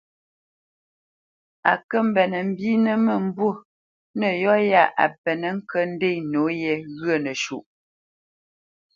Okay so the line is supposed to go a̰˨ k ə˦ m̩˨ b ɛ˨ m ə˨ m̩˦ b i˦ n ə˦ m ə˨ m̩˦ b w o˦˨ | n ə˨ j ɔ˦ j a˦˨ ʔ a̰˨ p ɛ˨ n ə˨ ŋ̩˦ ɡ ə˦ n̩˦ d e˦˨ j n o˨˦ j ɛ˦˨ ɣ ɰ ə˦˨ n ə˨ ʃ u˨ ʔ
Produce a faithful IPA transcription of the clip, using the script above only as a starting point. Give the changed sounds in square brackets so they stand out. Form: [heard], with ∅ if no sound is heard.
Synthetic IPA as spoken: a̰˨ k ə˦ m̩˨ b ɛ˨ [n] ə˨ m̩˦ b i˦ n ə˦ m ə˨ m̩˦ b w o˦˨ | n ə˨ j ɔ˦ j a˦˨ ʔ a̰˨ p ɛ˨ n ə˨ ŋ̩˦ [k] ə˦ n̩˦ d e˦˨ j n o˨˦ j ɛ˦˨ ɣ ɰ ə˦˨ n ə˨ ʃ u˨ ʔ